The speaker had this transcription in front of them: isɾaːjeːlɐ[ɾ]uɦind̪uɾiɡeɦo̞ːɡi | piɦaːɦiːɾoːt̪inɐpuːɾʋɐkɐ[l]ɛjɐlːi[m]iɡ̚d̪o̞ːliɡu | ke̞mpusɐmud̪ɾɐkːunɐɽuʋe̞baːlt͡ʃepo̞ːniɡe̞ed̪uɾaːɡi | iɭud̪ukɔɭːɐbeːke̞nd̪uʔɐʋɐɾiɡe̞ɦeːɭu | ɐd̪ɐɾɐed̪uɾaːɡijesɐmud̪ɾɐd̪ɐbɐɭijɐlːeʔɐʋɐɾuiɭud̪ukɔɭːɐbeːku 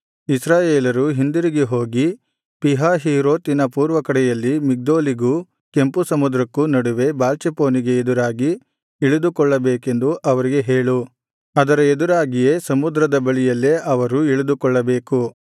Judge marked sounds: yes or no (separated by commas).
yes, no, yes